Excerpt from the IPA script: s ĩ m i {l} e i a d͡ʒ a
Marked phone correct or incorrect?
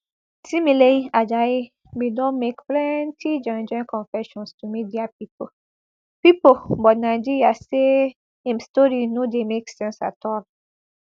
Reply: correct